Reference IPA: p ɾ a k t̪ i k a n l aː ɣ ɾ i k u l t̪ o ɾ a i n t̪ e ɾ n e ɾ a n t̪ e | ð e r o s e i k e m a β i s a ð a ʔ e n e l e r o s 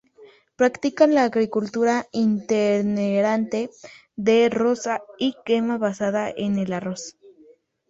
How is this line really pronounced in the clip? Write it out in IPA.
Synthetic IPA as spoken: p ɾ a k t̪ i k a n l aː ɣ ɾ i k u l t̪ u ɾ a i n t̪ e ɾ n e ɾ a n t̪ e | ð e r o s a i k e m a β a s a ð a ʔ e n e l a r o s

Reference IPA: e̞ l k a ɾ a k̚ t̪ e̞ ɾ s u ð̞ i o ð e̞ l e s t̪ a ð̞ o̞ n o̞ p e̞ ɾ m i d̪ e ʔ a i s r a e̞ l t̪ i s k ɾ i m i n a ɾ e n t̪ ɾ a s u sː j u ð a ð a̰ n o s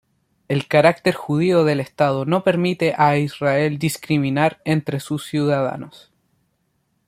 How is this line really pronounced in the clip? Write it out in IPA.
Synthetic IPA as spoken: e̞ l k a ɾ a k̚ t̪ e̞ ɾ x u ð̞ i o ð e̞ l e s t̪ a ð̞ o̞ n o̞ p e̞ ɾ m i t̪ e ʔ a i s r a e̞ l d̪ i s k ɾ i m i n a ɾ e n t̪ ɾ e s u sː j u ð a ð a̰ n o s

